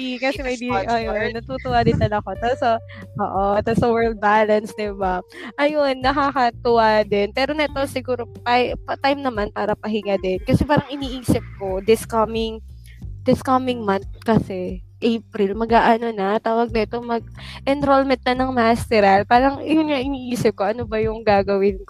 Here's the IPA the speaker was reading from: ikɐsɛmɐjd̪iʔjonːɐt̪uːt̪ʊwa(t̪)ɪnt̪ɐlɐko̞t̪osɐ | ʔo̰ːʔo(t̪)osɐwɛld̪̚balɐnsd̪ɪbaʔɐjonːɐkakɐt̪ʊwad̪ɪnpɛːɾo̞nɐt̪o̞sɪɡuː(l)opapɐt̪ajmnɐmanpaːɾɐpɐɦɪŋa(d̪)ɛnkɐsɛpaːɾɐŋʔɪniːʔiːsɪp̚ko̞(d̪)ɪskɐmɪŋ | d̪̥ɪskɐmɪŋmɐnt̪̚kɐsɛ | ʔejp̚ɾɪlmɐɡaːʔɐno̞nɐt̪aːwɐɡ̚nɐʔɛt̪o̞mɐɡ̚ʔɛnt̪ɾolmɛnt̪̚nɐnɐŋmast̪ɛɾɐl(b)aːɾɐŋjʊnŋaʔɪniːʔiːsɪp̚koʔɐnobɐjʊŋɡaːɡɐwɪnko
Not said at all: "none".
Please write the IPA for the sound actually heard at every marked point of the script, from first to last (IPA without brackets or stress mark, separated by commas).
d̪, t̪, ɾ, d̪, d̪, p